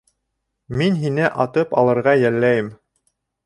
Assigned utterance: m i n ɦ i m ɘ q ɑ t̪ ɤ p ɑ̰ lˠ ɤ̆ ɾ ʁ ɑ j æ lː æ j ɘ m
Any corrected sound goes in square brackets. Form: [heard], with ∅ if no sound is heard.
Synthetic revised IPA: m i n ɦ i [n] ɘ [ʔ] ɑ t̪ ɤ p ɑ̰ lˠ ɤ̆ ɾ ʁ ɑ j æ lː æ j ɘ m